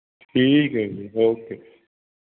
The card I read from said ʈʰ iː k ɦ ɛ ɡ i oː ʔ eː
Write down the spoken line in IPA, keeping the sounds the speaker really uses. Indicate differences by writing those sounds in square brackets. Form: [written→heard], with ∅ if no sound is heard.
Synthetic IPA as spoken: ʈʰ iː k ɦ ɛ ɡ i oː [ʔ→k] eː